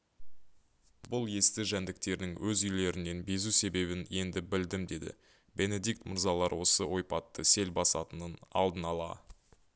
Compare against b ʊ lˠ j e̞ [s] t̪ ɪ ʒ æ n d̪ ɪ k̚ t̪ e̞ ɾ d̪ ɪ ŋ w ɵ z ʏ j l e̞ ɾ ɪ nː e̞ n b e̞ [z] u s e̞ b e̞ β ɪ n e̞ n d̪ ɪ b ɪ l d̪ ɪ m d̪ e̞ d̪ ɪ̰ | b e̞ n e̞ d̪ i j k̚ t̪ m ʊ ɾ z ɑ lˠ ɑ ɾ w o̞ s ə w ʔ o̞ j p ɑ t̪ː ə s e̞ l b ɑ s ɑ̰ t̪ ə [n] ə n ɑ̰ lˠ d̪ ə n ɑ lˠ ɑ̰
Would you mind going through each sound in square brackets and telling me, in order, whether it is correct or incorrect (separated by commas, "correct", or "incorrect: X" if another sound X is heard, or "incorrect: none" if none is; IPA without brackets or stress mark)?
correct, correct, correct